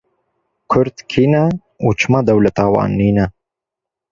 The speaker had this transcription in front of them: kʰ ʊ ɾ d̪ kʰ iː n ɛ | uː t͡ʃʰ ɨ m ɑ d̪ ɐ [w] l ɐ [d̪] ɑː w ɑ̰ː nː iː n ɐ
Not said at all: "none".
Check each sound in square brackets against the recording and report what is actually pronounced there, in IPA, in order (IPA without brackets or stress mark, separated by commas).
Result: w, t̪